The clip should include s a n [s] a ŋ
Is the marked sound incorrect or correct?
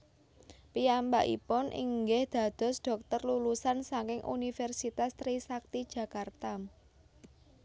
correct